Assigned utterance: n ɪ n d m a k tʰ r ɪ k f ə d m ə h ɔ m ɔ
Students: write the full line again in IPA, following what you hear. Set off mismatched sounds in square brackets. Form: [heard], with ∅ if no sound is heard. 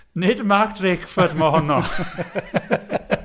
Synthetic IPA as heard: n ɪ [∅] d m a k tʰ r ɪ k f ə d m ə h ɔ [n] ɔ